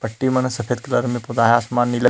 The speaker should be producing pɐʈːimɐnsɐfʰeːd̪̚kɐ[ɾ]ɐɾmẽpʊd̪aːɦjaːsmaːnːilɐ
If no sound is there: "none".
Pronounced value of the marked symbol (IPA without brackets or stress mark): l